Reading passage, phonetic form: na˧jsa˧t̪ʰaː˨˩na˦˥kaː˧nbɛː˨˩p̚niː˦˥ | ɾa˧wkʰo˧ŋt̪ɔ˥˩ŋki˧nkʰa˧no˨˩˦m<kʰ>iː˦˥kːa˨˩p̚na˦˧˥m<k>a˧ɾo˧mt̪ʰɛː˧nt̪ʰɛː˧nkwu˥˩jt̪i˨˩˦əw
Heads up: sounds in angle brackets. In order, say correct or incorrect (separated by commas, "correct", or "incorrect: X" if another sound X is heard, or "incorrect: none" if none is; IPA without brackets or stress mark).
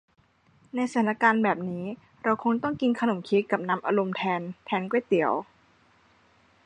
correct, incorrect: ʔ